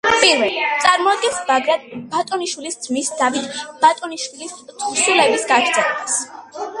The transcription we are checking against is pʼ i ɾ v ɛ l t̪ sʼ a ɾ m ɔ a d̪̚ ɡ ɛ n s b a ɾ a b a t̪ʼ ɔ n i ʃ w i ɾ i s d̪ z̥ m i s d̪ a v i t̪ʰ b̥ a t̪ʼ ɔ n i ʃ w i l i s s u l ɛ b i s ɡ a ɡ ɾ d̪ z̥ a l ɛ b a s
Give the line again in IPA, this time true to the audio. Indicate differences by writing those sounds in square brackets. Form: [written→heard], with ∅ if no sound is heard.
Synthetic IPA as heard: pʼ i ɾ v ɛ l t̪ sʼ a ɾ m ɔ a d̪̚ ɡ ɛ n s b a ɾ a b a t̪ʼ ɔ n i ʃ w i [ɾ→l] i s d̪ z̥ m i s d̪ a v i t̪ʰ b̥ a t̪ʼ ɔ n i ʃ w i l i s s u l ɛ b i s ɡ a ɡ ɾ d̪ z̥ [a→ɛ] l ɛ b a s

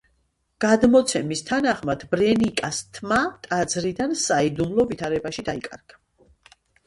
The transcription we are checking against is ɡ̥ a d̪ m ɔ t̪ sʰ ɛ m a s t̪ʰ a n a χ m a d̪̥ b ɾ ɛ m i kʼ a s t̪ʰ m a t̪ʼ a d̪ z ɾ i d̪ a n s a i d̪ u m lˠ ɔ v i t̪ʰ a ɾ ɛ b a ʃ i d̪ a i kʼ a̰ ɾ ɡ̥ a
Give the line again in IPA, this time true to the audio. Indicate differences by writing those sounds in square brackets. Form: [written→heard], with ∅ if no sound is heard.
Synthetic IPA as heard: ɡ̥ a d̪ m ɔ t̪ sʰ ɛ m [a→i] s t̪ʰ a n a χ m a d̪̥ b ɾ ɛ [m→n] i kʼ a s t̪ʰ m a t̪ʼ a d̪ z ɾ i d̪ a n s a i d̪ u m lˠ ɔ v i t̪ʰ a ɾ ɛ b a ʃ i d̪ a i kʼ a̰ ɾ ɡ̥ a

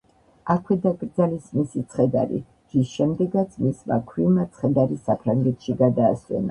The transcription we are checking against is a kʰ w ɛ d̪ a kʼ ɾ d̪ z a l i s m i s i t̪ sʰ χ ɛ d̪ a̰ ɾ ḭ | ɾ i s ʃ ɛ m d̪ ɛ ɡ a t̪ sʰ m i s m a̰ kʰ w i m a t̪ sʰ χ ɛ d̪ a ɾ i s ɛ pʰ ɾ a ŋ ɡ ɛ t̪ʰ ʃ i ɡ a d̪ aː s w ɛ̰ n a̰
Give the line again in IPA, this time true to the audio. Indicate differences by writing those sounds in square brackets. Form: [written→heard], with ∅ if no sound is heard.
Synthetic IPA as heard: a kʰ w ɛ d̪ a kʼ ɾ d̪ z a l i s m i s i t̪ sʰ χ ɛ d̪ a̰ ɾ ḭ | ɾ i s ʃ ɛ m d̪ ɛ ɡ a t̪ sʰ m i s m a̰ kʰ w i m a t̪ sʰ χ ɛ d̪ a ɾ i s [ɛ→a] pʰ ɾ a ŋ ɡ ɛ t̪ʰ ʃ i ɡ a d̪ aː s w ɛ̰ n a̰

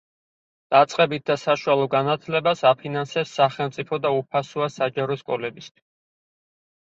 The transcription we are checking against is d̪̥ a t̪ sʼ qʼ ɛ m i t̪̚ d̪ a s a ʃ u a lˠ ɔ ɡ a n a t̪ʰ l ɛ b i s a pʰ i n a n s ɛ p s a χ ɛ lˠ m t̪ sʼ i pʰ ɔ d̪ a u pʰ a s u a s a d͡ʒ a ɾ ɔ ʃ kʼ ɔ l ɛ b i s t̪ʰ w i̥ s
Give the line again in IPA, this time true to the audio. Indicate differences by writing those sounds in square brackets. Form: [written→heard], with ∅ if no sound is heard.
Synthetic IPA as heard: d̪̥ a t̪ sʼ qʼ ɛ [m→b] i t̪̚ d̪ a s a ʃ u a lˠ ɔ ɡ a n a t̪ʰ l ɛ b [i→a] s a pʰ i n a n s ɛ p s a χ ɛ lˠ m t̪ sʼ i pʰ ɔ d̪ a u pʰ a s u a s a d͡ʒ a ɾ ɔ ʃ kʼ ɔ l ɛ b i s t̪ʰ w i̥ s

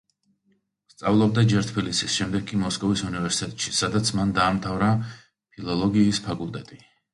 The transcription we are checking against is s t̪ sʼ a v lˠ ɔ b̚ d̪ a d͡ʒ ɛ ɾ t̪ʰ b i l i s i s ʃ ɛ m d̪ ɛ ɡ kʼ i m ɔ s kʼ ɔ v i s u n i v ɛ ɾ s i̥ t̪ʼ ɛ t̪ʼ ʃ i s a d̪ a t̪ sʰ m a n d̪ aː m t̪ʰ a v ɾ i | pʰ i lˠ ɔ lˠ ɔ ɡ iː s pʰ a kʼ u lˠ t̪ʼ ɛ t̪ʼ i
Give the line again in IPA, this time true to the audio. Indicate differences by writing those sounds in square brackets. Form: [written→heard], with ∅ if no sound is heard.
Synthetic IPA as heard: s t̪ sʼ a v lˠ ɔ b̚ d̪ a d͡ʒ ɛ ɾ t̪ʰ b i l i s i s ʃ ɛ m d̪ ɛ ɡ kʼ i m ɔ s kʼ ɔ v i s u n i v ɛ ɾ s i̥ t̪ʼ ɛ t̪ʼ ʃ i s a d̪ a t̪ sʰ m a n d̪ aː m t̪ʰ a v ɾ [i→a] | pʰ i lˠ ɔ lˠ ɔ ɡ iː s pʰ a kʼ u lˠ t̪ʼ ɛ t̪ʼ i

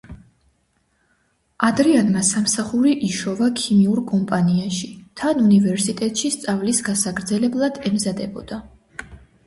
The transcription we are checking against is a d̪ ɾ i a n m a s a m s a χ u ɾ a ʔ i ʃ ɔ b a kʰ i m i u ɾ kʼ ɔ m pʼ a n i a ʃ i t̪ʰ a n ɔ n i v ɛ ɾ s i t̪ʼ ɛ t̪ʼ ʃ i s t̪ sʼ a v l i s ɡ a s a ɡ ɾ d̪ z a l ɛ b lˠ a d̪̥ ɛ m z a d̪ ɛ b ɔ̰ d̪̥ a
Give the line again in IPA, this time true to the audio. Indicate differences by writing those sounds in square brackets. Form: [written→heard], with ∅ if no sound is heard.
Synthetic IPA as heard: a d̪ ɾ i a n m a s a m s a χ u ɾ [a→i] ʔ i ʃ ɔ [b→v] a kʰ i m i u ɾ kʼ ɔ m pʼ a n i a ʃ i t̪ʰ a n [ɔ→u] n i v ɛ ɾ s i t̪ʼ ɛ t̪ʼ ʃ i s t̪ sʼ a v l i s ɡ a s a ɡ ɾ d̪ z [a→ɛ] l ɛ b lˠ a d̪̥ ɛ m z a d̪ ɛ b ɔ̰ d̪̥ a

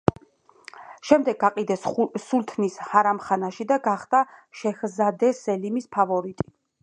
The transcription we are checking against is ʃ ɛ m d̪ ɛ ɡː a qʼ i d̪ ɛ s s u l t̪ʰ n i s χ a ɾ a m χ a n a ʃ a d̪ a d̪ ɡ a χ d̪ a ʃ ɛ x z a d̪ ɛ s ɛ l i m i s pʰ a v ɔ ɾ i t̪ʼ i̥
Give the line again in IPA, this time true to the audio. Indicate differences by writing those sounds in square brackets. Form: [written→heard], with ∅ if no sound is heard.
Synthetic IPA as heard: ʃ ɛ m d̪ ɛ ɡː a qʼ i d̪ ɛ s s u l t̪ʰ n i s [χ→h] a ɾ a m χ a n a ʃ [a→i] d̪ a [d̪→∅] ɡ a χ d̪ a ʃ ɛ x z a d̪ ɛ s ɛ l i m i s pʰ a v ɔ ɾ i t̪ʼ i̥

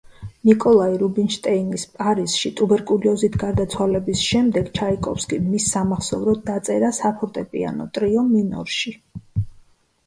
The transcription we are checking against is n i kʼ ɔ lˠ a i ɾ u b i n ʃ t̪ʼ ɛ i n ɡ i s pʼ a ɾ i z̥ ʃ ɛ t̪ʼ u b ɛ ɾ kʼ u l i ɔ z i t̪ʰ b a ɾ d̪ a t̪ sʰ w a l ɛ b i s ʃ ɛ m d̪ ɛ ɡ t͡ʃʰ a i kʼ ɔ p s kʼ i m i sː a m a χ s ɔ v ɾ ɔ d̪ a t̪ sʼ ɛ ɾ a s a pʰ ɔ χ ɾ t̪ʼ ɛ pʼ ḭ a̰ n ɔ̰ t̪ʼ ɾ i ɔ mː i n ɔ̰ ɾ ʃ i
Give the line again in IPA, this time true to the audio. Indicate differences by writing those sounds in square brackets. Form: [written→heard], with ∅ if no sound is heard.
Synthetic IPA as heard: n i kʼ ɔ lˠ a i ɾ u b i n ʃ t̪ʼ ɛ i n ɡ i s pʼ a ɾ i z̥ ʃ [ɛ→i] t̪ʼ u b ɛ ɾ kʼ u l i ɔ z i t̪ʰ [b→ɡ] a ɾ d̪ a t̪ sʰ w a l ɛ b i s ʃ ɛ m d̪ ɛ ɡ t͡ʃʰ a i kʼ ɔ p s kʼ i m i sː a m a χ s ɔ v ɾ ɔ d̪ a t̪ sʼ ɛ ɾ a s a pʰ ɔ [χ→∅] ɾ t̪ʼ ɛ pʼ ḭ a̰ n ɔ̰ t̪ʼ ɾ i ɔ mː i n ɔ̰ ɾ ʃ i

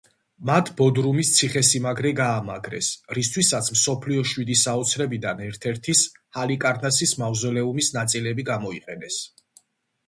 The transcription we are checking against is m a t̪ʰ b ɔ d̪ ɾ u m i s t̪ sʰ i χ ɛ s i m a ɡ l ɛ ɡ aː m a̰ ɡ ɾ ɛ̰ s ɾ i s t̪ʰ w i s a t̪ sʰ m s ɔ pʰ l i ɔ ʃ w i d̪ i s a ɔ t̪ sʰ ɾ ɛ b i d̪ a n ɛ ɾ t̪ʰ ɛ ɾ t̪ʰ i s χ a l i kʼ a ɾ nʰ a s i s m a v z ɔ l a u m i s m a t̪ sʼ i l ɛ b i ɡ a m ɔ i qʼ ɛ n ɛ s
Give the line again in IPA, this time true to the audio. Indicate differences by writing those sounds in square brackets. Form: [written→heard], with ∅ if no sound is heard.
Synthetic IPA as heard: m a t̪ʰ b ɔ d̪ ɾ u m i s t̪ sʰ i χ ɛ s i m a ɡ [l→ɾ] ɛ ɡ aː m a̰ ɡ ɾ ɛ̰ s ɾ i s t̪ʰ w i s a t̪ sʰ m s ɔ pʰ l i ɔ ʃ w i d̪ i s a ɔ t̪ sʰ ɾ ɛ b i d̪ a n ɛ ɾ t̪ʰ ɛ ɾ t̪ʰ i s [χ→h] a l i kʼ a ɾ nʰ a s i s m a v z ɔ l [a→ɛ] u m i s [m→n] a t̪ sʼ i l ɛ b i ɡ a m ɔ i qʼ ɛ n ɛ s

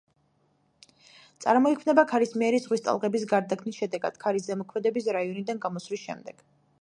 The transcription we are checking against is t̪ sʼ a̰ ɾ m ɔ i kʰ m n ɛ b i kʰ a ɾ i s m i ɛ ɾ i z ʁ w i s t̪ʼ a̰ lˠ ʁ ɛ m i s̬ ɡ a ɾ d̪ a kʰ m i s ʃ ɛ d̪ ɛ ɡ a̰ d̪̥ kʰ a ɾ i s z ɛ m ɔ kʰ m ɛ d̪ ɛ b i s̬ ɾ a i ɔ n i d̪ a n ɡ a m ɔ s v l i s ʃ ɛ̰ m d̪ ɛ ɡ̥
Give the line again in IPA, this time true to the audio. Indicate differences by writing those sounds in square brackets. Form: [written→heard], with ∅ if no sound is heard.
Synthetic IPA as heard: t̪ sʼ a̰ ɾ m ɔ i kʰ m n ɛ b [i→a] kʰ a ɾ i s m i ɛ ɾ i z ʁ w i s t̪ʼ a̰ lˠ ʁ ɛ [m→b] i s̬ ɡ a ɾ d̪ a kʰ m i s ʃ ɛ d̪ ɛ ɡ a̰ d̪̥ kʰ a ɾ i s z ɛ m ɔ kʰ m ɛ d̪ ɛ b i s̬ ɾ a i ɔ n i d̪ a n ɡ a m ɔ s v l i s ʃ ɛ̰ m d̪ ɛ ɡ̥

